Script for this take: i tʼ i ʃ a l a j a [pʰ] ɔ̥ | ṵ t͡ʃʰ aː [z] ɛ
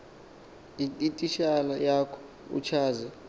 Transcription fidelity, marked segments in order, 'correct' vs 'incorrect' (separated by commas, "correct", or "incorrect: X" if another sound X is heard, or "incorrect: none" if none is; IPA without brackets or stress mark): incorrect: kʰ, correct